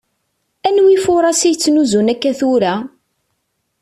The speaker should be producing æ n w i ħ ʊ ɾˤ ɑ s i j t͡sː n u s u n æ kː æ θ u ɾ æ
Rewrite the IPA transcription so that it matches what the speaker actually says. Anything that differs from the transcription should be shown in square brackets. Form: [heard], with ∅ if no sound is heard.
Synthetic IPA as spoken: æ n w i [f] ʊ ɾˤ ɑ s i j t͡sː n u [z] u n æ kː æ θ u ɾ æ